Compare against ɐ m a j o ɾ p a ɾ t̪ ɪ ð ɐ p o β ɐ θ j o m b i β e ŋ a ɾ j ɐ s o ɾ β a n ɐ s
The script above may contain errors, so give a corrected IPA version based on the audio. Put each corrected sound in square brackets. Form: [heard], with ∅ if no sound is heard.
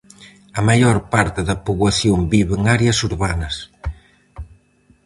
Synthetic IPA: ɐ m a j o ɾ p a ɾ t̪ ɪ ð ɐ p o β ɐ θ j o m b i β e ŋ a ɾ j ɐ s [u] ɾ β a n ɐ s